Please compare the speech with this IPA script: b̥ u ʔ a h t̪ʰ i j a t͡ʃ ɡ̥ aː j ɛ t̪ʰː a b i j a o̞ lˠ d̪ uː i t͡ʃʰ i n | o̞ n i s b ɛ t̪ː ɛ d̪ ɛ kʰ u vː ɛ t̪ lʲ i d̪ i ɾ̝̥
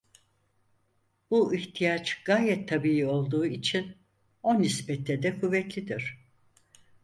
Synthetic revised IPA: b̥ u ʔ i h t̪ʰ i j a t͡ʃ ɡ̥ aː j ɛ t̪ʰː a b i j i o̞ lˠ d̪ uː i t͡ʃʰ i n | o̞ n i s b ɛ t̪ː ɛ d̪ ɛ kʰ u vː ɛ t̪ lʲ i d̪ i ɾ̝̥